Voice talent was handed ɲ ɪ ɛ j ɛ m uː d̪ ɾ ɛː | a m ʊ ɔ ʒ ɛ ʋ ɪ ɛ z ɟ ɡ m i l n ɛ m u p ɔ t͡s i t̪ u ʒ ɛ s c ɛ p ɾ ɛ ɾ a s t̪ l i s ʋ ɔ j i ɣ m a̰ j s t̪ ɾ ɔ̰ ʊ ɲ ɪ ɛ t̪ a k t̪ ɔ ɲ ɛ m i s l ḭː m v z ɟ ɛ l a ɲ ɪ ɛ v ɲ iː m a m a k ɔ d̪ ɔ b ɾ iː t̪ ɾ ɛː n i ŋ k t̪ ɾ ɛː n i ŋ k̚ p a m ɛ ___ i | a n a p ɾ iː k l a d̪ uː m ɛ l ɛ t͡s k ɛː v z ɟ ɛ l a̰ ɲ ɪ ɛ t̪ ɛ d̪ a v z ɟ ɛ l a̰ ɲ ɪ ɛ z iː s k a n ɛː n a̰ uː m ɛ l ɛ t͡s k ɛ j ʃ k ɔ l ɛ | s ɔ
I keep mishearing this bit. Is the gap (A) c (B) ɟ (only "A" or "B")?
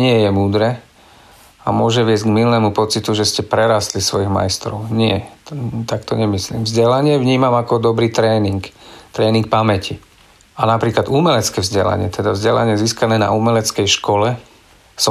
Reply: A